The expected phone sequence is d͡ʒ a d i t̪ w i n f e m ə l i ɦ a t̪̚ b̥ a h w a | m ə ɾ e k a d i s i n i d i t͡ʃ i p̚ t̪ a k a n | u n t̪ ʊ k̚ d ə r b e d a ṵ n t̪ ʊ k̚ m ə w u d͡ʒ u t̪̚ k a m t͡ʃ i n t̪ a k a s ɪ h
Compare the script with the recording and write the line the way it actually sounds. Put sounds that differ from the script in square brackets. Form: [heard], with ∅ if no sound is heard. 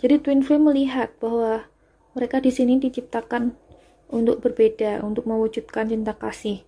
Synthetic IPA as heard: d͡ʒ a d i t̪ w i n f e m ə l i ɦ a t̪̚ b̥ a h w a | m ə ɾ e k a d i s i n i d i t͡ʃ i p̚ t̪ a k a n | u n t̪ ʊ k̚ [b] ə r b e d a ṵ n t̪ ʊ k̚ m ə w u d͡ʒ u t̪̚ k a [n] t͡ʃ i n t̪ a k a s ɪ h